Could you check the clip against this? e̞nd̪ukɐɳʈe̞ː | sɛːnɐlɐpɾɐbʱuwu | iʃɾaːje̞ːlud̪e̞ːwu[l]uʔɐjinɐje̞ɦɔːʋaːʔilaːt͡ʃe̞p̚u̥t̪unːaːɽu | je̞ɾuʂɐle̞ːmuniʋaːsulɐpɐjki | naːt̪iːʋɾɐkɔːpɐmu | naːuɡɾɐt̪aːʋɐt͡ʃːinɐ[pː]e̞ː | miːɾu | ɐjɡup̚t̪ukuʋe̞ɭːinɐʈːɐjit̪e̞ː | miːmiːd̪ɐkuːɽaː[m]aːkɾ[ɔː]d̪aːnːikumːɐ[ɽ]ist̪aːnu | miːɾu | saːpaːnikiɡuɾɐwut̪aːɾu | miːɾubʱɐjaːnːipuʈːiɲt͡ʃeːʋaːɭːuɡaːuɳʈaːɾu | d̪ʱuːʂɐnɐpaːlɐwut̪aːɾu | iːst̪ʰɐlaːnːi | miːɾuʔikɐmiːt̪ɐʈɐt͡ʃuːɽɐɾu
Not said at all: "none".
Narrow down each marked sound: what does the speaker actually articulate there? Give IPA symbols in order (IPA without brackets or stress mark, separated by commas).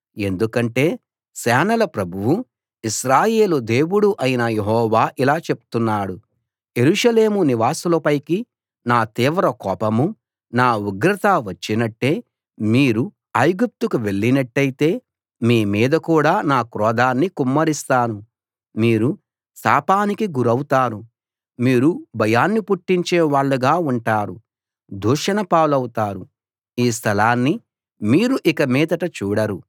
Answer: ɽ, ʈː, n, ɔː, ɾ